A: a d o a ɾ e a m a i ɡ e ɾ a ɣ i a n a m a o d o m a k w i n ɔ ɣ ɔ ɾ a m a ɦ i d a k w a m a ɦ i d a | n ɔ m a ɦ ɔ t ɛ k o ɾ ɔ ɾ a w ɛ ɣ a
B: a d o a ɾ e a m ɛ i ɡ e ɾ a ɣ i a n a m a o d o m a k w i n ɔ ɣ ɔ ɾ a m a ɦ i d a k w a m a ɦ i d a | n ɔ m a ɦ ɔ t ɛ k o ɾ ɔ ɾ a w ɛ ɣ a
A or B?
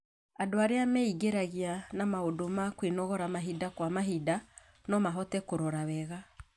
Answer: B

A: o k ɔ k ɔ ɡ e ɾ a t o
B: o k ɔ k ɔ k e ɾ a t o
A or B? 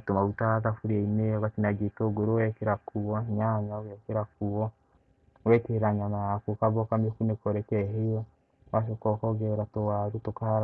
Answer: A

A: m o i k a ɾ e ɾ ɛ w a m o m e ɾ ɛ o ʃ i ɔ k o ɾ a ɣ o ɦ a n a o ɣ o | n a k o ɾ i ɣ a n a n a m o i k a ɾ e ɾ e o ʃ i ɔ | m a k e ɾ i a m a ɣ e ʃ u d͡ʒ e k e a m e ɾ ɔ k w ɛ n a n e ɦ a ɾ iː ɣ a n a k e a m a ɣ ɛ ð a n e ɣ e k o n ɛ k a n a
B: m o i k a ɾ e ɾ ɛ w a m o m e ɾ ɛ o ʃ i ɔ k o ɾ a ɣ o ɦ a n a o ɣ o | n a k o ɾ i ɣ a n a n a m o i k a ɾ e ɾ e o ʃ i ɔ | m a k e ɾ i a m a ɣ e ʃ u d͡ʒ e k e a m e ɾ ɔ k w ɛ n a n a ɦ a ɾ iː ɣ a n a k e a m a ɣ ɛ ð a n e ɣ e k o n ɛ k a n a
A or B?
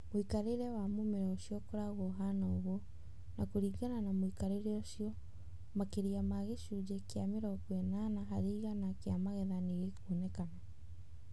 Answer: B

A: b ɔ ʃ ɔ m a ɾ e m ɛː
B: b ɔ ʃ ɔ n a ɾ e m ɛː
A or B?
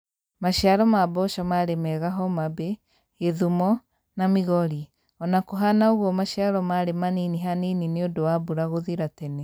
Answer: A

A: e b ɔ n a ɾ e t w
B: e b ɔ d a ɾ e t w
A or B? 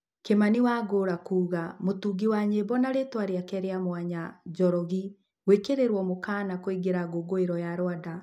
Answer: A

